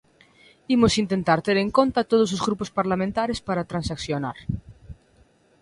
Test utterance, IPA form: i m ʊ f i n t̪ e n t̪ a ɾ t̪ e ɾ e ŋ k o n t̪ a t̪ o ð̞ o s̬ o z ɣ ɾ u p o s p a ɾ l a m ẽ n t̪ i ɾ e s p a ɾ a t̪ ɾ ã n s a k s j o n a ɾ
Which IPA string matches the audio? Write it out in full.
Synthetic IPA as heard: i m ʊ s i n t̪ e n t̪ a ɾ t̪ e ɾ e ŋ k o n t̪ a t̪ o ð̞ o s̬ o z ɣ ɾ u p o s p a ɾ l a m ẽ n t̪ a ɾ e s p a ɾ a t̪ ɾ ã n s a k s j o n a ɾ

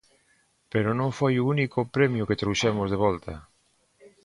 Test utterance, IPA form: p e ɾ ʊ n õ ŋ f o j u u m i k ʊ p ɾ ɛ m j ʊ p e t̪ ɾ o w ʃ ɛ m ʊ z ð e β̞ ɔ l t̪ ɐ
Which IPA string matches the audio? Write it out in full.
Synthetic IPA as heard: p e ɾ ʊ n õ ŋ f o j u u n i k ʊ p ɾ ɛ m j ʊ k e t̪ ɾ o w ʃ ɛ m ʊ z ð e β̞ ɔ l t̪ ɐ

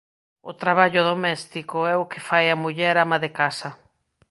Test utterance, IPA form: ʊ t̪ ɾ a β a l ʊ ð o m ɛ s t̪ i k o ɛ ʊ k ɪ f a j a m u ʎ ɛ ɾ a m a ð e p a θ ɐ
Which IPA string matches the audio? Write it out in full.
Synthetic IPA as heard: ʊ t̪ ɾ a β a ʎ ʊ ð o m ɛ s t̪ i k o ɛ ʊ k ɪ f a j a m u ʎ ɛ ɾ a m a ð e k a s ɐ

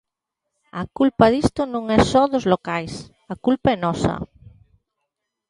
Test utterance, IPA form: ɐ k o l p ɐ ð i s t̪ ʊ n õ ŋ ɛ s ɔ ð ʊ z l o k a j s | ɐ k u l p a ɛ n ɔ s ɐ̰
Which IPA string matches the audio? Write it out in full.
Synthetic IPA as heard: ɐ k u l p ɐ ð i s t̪ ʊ n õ ŋ ɛ s ɔ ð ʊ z l o k a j s | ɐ k u l p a ɛ n ɔ s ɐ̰

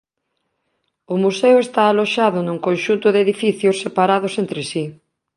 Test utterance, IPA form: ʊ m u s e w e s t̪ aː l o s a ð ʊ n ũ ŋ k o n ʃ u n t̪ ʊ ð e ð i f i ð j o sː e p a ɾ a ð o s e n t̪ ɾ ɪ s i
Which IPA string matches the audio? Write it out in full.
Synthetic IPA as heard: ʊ m u s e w e s t̪ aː l o ʃ a ð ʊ n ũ ŋ k o n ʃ u n t̪ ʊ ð e ð i f i θ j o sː e p a ɾ a ð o s e n t̪ ɾ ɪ s i

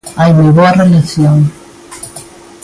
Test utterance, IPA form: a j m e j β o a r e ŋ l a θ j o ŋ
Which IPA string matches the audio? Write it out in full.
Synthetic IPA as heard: a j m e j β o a r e l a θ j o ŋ

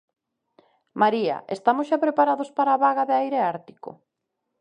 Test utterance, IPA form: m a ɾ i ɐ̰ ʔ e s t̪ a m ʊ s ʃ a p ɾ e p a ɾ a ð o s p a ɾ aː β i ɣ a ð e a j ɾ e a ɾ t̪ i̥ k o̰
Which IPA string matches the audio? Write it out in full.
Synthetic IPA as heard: m a ɾ i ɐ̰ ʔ e s t̪ a m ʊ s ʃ a p ɾ e p a ɾ a ð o s p a ɾ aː β a ɣ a ð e a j ɾ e a ɾ t̪ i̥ k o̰

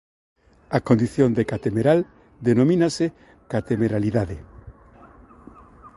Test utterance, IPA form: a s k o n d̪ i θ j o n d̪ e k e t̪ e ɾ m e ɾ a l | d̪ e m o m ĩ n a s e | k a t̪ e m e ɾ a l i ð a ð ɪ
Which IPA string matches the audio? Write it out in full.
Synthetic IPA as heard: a k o n d̪ i θ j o n d̪ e k a t̪ e m e ɾ a l | d̪ e n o m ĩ n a s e | k a t̪ e m e ɾ a l i ð a ð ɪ

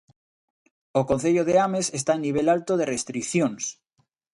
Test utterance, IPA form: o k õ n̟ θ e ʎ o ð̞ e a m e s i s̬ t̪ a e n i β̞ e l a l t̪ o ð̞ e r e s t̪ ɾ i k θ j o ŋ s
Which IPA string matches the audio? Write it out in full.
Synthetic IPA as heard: o k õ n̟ θ e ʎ o ð̞ e a m e s e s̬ t̪ a e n i β̞ e l a l t̪ o ð̞ e r e s t̪ ɾ i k θ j o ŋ s

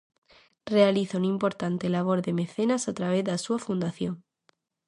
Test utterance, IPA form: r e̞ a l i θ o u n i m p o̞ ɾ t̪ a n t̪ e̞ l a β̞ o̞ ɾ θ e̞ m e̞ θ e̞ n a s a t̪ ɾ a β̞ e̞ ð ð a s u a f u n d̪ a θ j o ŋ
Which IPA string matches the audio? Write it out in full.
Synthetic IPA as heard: r e̞ a l i θ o u n i m p o̞ ɾ t̪ a n t̪ e̞ l a β̞ o̞ ɾ ð e̞ m e̞ θ e̞ n a s a t̪ ɾ a β̞ e̞ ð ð a s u a f u n d̪ a θ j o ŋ

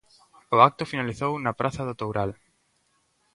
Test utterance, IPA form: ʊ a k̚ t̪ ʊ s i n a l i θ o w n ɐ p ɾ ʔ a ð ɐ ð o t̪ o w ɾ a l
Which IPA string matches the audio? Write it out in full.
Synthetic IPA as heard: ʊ a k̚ t̪ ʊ f i n a l i θ o w n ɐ p ɾ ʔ a θ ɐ ð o t̪ o w ɾ a l

